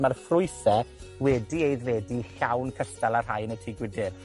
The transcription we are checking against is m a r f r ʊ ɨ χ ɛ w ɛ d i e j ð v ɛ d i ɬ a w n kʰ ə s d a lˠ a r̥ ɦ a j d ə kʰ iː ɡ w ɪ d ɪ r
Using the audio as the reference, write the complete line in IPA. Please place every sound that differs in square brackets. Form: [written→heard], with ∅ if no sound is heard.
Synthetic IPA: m a r f r ʊ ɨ [χ→θ] ɛ w ɛ d i e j ð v ɛ d i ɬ a w n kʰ ə s [d→t] a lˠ a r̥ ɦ a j [d→n] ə [kʰ→tʰ] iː ɡ w ɪ d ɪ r